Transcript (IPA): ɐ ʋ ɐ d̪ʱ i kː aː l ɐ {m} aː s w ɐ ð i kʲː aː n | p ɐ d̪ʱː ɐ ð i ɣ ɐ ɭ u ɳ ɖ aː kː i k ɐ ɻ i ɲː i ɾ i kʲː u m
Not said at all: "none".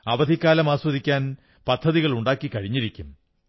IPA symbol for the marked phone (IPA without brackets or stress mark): m